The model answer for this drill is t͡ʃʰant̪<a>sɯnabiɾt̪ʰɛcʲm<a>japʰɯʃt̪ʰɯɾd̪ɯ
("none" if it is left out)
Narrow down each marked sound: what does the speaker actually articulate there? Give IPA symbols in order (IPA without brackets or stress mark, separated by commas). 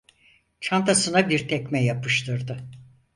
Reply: a, ɛ